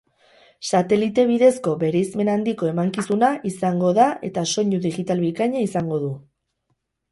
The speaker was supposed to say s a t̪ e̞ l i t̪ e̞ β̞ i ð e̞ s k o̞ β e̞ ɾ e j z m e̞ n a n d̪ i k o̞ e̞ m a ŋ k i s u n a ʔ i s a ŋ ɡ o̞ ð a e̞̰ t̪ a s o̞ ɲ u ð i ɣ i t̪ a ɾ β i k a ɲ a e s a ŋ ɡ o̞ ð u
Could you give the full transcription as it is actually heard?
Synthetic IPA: s a t̪ e̞ l i t̪ e̞ β̞ i ð e̞ s k o̞ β e̞ ɾ e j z m e̞ n a n d̪ i k o̞ e̞ m a ŋ k i s u n a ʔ i s a ŋ ɡ o̞ ð a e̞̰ t̪ a s o̞ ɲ u ð i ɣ i t̪ a l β i k a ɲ a i s a ŋ ɡ o̞ ð u